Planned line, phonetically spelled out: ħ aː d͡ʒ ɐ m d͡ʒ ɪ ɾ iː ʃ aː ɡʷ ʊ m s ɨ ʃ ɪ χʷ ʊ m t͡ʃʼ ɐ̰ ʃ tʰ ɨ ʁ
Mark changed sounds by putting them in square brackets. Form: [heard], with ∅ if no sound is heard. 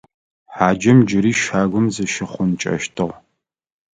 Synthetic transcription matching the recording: ħ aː d͡ʒ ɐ m d͡ʒ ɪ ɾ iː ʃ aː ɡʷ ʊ m [z] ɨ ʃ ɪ χʷ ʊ [n] t͡ʃʼ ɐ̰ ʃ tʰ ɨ ʁ